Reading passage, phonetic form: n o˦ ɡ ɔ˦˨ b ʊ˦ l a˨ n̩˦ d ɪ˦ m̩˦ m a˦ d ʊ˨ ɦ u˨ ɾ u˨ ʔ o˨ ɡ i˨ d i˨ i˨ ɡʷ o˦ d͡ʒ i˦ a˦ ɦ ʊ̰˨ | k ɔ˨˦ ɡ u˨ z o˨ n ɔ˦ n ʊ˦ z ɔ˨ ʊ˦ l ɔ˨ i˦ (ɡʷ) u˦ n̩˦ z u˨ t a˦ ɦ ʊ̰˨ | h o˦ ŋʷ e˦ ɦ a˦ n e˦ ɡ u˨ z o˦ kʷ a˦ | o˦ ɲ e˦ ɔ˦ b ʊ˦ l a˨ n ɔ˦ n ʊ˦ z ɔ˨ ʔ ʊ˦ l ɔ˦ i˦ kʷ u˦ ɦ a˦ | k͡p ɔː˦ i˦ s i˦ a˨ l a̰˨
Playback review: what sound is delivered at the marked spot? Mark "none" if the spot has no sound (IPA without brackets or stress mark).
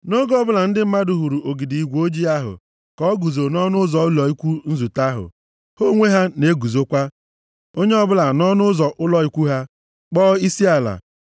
kʷ